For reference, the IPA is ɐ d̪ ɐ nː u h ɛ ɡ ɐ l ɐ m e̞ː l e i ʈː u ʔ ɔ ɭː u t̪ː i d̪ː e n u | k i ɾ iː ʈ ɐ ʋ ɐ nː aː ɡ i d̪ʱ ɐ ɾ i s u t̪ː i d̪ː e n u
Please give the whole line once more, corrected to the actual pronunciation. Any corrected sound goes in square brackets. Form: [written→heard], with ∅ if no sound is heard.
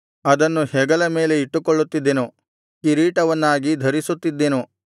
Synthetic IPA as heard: ɐ d̪ ɐ nː u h ɛ ɡ ɐ l ɐ m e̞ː l e i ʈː u [ʔ→k] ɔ ɭː u t̪ː i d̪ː e n u | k i ɾ iː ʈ ɐ ʋ ɐ nː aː ɡ i d̪ʱ ɐ ɾ i s u t̪ː i d̪ː e n u

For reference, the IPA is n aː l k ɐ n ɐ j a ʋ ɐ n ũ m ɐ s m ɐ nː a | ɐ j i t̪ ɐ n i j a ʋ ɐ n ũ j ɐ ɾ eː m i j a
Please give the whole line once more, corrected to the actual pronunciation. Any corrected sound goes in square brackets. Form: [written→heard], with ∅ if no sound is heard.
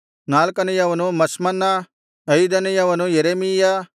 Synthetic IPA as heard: n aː l k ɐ n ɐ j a ʋ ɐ n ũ m ɐ s m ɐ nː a | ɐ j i [t̪→d̪] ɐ n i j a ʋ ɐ n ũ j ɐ ɾ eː m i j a

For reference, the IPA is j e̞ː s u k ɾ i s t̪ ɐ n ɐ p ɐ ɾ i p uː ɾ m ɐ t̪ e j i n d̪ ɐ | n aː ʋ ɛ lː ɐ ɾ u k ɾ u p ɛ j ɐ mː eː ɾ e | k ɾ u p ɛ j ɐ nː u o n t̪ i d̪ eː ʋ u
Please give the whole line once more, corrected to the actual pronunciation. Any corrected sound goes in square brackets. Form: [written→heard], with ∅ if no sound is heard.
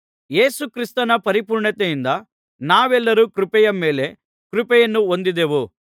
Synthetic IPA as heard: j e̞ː s u k ɾ i s t̪ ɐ n ɐ p ɐ ɾ i p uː ɾ [m→ɳ] ɐ t̪ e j i n d̪ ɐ | n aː ʋ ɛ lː ɐ ɾ u k ɾ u p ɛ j ɐ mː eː [ɾ→l] e | k ɾ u p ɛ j ɐ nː u o n [t̪→d̪] i d̪ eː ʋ u

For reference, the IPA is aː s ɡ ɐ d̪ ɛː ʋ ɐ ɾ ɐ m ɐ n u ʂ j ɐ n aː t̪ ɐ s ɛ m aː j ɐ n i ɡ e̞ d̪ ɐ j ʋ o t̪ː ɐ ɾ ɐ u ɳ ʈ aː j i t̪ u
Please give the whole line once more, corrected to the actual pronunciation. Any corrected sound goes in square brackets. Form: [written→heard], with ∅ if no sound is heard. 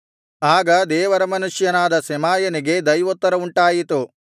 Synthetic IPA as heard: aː [s→∅] ɡ ɐ d̪ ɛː ʋ ɐ ɾ ɐ m ɐ n u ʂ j ɐ n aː [t̪→d̪] ɐ s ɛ m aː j ɐ n i ɡ e̞ d̪ ɐ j ʋ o t̪ː ɐ ɾ ɐ u ɳ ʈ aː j i t̪ u

